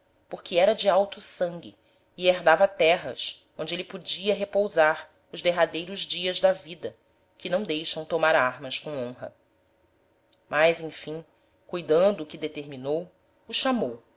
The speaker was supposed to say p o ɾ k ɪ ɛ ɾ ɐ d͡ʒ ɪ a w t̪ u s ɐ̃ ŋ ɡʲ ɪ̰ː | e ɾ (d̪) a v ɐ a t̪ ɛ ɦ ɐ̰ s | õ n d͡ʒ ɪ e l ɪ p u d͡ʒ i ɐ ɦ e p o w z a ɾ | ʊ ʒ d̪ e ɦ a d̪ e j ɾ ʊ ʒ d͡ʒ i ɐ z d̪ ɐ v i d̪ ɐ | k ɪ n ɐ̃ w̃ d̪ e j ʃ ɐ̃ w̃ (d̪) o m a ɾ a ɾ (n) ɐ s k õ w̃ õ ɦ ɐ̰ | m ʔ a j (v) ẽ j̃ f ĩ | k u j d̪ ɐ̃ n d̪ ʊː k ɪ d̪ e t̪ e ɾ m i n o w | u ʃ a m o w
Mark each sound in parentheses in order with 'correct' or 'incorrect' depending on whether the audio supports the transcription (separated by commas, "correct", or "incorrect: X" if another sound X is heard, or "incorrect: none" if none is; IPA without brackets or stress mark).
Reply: correct, incorrect: t̪, incorrect: m, incorrect: z